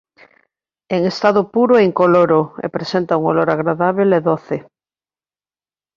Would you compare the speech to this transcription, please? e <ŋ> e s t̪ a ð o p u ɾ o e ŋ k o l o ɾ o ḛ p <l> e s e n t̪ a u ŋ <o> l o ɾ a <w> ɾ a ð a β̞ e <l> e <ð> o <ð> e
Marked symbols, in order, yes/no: yes, no, yes, no, yes, yes, no

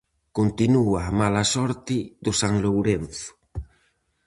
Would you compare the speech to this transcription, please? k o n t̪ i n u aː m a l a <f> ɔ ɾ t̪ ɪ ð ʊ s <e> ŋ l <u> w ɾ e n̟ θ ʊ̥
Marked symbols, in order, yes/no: no, no, no

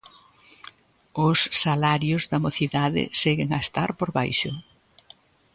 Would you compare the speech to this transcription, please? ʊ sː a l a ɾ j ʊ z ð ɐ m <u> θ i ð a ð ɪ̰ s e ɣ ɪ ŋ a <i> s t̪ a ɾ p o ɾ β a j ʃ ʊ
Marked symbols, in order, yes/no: no, no

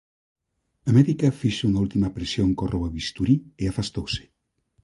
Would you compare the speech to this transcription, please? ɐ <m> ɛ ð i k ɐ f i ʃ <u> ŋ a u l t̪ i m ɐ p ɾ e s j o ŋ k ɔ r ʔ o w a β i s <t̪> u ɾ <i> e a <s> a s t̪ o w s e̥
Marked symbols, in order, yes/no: yes, yes, yes, yes, no

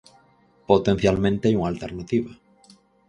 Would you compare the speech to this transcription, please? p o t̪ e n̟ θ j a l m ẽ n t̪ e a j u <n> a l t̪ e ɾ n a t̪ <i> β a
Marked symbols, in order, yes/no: no, yes

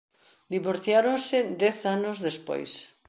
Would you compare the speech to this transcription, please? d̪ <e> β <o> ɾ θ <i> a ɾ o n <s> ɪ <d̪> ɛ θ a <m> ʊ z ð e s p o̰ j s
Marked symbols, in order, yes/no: no, yes, no, yes, yes, no

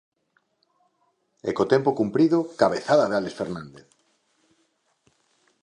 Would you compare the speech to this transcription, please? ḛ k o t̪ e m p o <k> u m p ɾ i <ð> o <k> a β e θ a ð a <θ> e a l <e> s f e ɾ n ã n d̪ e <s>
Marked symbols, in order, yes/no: yes, yes, yes, no, yes, no

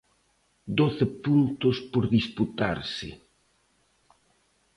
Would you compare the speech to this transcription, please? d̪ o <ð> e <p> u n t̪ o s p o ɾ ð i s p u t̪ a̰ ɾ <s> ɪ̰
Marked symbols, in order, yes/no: no, yes, yes

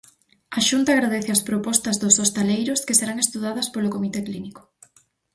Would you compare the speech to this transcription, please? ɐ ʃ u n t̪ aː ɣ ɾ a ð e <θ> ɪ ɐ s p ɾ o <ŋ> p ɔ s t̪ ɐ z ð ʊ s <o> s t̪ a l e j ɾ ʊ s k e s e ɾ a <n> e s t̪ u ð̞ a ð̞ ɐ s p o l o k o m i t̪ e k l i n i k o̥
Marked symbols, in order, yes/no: yes, no, yes, no

